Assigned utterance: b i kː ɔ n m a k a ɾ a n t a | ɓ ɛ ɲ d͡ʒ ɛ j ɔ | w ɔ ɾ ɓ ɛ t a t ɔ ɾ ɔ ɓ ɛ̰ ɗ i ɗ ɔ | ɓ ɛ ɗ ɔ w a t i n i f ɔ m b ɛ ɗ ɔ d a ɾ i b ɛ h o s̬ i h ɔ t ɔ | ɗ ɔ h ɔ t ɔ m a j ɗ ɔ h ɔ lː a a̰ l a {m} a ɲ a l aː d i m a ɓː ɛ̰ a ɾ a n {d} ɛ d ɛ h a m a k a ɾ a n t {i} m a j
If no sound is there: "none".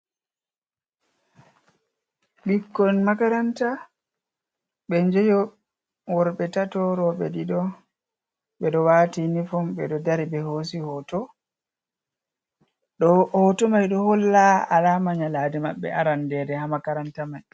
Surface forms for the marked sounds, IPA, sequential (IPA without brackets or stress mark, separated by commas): m, d, a